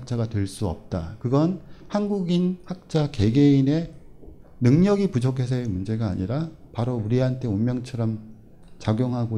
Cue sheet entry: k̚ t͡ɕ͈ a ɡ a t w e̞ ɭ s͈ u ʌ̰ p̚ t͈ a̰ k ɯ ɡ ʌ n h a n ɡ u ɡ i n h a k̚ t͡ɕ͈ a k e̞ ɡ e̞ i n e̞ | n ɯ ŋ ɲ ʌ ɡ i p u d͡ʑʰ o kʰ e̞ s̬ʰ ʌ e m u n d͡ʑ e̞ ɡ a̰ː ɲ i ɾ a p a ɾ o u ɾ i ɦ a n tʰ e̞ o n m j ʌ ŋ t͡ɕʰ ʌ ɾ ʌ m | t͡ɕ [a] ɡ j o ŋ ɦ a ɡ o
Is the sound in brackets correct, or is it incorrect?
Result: correct